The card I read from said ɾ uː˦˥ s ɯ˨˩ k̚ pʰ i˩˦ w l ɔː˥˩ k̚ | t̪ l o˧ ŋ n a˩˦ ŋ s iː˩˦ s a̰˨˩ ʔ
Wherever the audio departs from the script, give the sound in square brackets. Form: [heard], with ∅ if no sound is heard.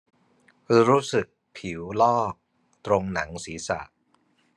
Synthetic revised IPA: ɾ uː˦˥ s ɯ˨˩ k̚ pʰ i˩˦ w l ɔː˥˩ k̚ | t̪ [ɾ] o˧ ŋ n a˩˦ ŋ s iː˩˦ s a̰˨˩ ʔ

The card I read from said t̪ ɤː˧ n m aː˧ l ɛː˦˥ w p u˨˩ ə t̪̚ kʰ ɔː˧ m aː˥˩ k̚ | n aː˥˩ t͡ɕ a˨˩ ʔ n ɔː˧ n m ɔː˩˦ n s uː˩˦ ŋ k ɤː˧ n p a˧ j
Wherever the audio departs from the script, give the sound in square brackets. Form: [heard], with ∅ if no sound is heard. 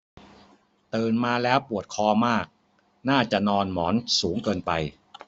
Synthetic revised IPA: t̪ ɤː˧ n m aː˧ l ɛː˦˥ w p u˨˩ ə t̪̚ kʰ ɔː˧ m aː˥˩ k̚ | n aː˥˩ t͡ɕ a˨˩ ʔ n ɔː˧ n m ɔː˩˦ n s uː˩˦ ŋ k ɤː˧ n p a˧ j

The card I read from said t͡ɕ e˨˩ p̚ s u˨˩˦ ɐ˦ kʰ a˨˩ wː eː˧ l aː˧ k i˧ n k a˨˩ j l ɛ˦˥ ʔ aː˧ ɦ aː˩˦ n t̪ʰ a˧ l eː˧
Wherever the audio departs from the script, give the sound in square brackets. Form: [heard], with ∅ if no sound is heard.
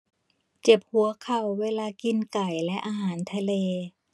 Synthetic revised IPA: t͡ɕ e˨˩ p̚ [h] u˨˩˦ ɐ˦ kʰ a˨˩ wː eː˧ l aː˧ k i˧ n k a˨˩ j l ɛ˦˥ ʔ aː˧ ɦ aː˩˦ n t̪ʰ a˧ l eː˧

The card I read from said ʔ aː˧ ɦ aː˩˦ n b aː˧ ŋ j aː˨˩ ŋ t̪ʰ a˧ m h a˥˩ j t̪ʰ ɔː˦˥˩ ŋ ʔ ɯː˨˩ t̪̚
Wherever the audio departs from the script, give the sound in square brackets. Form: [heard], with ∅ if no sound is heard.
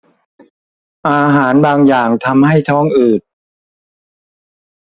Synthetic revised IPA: ʔ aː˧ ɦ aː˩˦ n b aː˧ ŋ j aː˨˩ ŋ t̪ʰ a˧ m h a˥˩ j t̪ʰ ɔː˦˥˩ ŋ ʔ ɯː˨˩ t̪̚

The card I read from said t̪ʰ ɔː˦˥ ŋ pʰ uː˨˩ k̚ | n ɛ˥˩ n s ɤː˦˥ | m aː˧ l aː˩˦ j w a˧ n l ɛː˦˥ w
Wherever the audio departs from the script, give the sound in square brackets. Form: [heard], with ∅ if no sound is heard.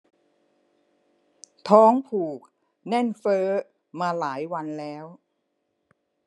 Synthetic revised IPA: t̪ʰ ɔː˦˥ ŋ pʰ uː˨˩ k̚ | n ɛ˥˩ n [f] ɤː˦˥ | m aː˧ l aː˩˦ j w a˧ n l ɛː˦˥ w

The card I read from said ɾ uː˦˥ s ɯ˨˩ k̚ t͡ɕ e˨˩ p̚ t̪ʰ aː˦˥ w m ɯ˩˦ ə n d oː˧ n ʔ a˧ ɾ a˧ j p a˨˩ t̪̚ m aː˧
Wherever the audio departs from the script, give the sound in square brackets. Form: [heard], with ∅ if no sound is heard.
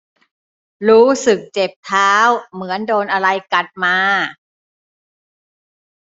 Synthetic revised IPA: ɾ uː˦˥ s ɯ˨˩ k̚ t͡ɕ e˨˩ p̚ t̪ʰ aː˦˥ w m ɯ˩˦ ə n d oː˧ n ʔ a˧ ɾ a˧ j [k] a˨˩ t̪̚ m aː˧

